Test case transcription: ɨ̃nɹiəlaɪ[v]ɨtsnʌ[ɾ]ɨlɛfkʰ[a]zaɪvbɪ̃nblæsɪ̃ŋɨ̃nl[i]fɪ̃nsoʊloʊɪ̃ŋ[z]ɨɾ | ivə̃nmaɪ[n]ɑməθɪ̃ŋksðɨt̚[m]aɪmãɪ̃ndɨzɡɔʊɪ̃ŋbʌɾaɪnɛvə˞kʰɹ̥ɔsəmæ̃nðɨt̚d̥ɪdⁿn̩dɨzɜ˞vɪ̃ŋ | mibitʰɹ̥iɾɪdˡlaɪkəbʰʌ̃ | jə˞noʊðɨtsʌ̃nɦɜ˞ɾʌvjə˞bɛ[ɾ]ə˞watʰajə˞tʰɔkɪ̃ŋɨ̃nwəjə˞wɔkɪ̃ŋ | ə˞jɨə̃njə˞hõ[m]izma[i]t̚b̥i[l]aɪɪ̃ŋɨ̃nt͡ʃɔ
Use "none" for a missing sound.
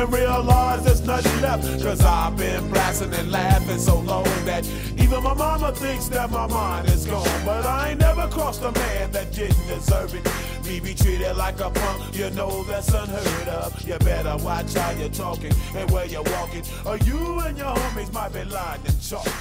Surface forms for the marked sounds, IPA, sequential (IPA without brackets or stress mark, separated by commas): z, ɾ, ʌ, æ, ð, m, m, ɾ, m, ɪ, l